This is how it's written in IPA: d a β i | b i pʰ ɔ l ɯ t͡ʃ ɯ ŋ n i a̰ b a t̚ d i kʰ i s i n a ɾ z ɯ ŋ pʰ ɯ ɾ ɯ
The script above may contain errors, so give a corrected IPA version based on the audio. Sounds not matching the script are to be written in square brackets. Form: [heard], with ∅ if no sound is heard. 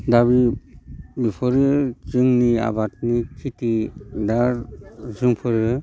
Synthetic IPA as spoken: d a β i | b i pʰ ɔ [ɾ] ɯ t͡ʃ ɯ ŋ n i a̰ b a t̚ [n] i kʰ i [t] i [d] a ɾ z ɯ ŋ pʰ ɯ ɾ ɯ